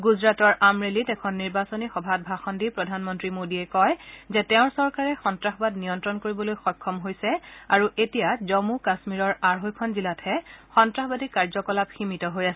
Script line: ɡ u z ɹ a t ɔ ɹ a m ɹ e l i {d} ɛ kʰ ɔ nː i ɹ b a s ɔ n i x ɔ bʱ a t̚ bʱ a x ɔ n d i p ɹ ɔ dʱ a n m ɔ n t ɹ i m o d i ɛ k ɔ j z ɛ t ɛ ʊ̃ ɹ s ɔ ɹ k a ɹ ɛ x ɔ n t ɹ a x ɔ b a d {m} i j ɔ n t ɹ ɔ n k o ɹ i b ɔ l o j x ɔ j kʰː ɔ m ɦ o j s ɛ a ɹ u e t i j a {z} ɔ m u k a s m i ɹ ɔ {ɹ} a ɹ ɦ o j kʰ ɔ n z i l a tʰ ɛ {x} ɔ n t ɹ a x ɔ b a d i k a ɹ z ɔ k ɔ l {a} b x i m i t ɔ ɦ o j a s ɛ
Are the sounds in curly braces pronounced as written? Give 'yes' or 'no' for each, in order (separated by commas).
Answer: no, no, yes, yes, yes, yes